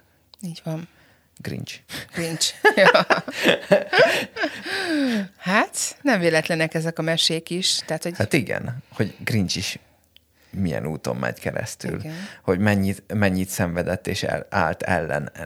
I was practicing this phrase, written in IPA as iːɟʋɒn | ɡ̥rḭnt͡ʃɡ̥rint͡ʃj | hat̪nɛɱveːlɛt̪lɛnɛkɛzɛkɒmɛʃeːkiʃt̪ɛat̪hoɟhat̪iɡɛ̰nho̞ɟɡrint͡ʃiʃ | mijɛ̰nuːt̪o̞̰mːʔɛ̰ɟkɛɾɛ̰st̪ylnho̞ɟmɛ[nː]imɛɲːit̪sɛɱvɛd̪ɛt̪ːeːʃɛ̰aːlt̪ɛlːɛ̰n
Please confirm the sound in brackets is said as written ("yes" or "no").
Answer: no